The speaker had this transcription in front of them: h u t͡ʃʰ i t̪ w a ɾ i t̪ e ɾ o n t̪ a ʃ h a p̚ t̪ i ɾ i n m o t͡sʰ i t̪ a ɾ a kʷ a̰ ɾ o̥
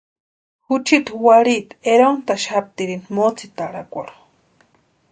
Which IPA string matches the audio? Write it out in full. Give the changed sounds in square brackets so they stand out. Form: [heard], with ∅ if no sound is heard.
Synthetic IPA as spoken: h u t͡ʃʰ i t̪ w a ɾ i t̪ e ɾ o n t̪ a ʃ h a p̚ t̪ i ɾ i n m o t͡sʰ i t̪ a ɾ a kʷ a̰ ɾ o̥